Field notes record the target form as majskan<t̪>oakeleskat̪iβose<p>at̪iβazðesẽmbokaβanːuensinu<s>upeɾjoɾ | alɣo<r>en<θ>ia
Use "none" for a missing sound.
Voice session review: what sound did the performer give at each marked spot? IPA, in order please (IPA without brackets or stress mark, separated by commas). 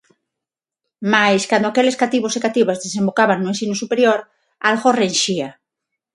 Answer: d̪, k, s, r, ʃ